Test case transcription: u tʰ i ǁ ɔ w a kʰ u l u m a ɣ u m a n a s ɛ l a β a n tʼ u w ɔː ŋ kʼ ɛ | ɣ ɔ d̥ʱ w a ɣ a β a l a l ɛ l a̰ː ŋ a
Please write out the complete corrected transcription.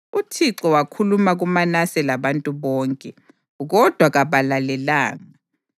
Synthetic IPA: u tʰ i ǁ ɔ w a kʰ u l u m a ɣ u m a n a s ɛ l a β a n tʼ u β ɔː ŋ kʼ ɛ | ɣ ɔ d̥ʱ w a ɣ a β a l a l ɛ l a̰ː ŋ a